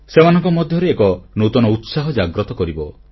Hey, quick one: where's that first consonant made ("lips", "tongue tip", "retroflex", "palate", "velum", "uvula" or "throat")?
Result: tongue tip